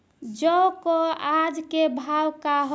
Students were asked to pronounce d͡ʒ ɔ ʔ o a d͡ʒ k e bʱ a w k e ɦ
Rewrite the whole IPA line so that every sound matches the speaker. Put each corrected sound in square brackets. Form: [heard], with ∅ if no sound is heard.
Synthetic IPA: d͡ʒ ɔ [k] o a d͡ʒ k e bʱ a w k [a] ɦ

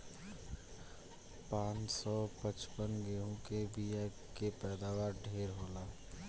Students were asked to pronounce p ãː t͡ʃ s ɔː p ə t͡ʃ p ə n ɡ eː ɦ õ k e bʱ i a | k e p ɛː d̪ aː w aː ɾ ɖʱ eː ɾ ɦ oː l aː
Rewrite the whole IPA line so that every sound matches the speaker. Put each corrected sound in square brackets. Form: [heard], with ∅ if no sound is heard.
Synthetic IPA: p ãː t͡ʃ s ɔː p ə t͡ʃ p ə n ɡ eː ɦ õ k e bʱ i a | k e p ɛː d̪ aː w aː ɾ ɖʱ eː ɾ ɦ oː l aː

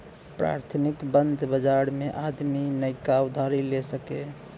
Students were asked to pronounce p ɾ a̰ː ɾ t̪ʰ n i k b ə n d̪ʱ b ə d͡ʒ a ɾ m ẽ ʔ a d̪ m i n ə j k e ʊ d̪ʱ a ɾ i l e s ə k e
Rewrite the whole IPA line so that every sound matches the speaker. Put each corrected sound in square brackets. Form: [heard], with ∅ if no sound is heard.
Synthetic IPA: p ɾ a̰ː ɾ t̪ʰ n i k b ə n d̪ʱ b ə d͡ʒ a ɾ m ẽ ʔ a d̪ m i n ə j k [a] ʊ d̪ʱ a ɾ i l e s ə k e

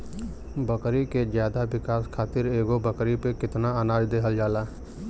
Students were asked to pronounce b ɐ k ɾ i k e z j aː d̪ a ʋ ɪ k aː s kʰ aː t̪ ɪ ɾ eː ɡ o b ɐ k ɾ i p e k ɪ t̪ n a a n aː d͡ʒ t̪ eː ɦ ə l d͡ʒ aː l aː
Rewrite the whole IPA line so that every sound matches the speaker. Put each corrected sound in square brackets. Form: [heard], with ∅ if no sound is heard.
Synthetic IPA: b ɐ k ɾ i k e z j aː d̪ a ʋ ɪ k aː s kʰ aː t̪ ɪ ɾ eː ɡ o b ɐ k ɾ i p e k ɪ t̪ n a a n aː d͡ʒ [d̪] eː ɦ ə l d͡ʒ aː l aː

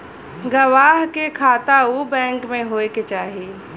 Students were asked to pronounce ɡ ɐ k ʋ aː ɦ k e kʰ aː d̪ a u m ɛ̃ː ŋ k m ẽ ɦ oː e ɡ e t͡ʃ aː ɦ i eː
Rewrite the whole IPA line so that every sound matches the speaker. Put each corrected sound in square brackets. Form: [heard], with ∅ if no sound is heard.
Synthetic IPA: ɡ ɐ [∅] ʋ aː ɦ k e kʰ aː [t̪] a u [b] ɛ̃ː ŋ k m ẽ ɦ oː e [k] e t͡ʃ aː ɦ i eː

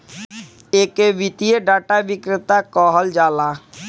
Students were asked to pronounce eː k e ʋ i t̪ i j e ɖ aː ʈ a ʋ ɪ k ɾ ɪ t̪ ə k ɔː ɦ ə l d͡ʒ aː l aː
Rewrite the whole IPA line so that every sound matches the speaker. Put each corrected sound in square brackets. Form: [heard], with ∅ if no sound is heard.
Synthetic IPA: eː k e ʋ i t̪ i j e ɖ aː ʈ a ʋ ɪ k ɾ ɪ t̪ [a] k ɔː ɦ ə l d͡ʒ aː l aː

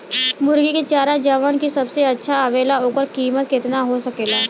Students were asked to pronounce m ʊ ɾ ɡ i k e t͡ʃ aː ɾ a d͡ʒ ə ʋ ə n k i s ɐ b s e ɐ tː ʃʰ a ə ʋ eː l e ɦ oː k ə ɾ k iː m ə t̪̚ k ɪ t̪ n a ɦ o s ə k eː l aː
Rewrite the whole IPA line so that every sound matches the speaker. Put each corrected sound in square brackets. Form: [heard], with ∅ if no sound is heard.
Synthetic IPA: m ʊ ɾ ɡ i k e t͡ʃ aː ɾ a d͡ʒ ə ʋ ə n k i s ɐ b s e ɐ tː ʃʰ a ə ʋ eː l [a] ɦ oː k ə ɾ k iː m ə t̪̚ k ɪ t̪ n a ɦ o s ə k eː l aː

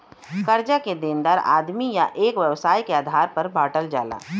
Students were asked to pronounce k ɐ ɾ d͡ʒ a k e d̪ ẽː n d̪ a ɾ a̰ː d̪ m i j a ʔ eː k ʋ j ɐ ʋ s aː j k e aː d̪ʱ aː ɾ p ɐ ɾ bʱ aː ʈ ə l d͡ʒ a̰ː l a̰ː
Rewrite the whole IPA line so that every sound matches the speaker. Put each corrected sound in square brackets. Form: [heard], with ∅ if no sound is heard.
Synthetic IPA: k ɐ ɾ d͡ʒ a k e d̪ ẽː n d̪ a ɾ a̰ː d̪ m i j a ʔ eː k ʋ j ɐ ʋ s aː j k e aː d̪ʱ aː ɾ p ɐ ɾ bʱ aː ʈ ə l d͡ʒ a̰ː l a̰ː

